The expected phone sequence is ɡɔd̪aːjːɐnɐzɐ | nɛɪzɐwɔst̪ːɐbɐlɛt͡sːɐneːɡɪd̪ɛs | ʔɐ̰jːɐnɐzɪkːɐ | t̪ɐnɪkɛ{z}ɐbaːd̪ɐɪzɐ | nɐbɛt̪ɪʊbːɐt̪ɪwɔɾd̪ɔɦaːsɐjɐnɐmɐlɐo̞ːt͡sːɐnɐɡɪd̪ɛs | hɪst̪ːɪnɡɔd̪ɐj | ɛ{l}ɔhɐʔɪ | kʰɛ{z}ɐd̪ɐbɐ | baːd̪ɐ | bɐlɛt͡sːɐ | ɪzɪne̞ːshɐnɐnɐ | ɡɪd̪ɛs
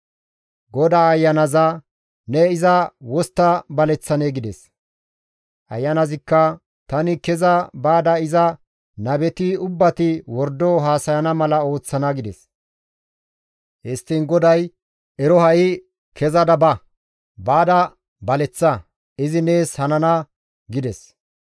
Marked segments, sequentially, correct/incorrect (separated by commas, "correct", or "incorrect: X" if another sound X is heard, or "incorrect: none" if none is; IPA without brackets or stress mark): correct, incorrect: ɾ, correct